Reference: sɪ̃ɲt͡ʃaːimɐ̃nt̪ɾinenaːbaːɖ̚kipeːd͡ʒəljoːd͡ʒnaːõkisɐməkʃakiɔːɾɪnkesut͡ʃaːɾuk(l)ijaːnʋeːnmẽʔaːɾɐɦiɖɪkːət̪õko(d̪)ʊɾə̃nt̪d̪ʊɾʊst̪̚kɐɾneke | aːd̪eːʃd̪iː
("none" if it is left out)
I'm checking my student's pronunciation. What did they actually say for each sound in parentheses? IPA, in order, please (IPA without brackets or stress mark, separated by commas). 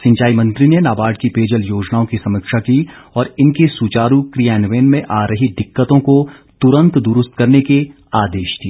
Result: ɾ, t̪